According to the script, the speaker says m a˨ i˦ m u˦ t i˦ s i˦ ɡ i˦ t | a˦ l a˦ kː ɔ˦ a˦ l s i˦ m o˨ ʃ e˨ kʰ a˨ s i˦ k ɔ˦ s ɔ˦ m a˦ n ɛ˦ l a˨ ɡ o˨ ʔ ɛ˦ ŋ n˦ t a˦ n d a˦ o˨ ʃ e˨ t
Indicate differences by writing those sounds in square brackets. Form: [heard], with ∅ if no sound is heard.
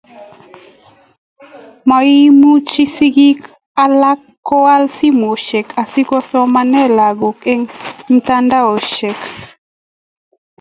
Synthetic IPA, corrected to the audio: m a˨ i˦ m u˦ [t͡ʃ] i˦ s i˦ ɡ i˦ [k] | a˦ l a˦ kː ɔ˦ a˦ l s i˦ m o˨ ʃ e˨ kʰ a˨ s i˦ k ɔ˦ s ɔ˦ m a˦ n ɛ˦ l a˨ ɡ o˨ [k] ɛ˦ ŋ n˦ t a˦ n d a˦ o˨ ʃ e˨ [k]